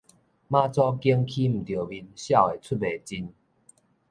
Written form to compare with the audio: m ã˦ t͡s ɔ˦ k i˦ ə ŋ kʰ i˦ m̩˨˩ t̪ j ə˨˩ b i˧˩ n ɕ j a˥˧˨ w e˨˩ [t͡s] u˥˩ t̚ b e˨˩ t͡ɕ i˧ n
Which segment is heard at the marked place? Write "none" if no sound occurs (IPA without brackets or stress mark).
t͡sʰ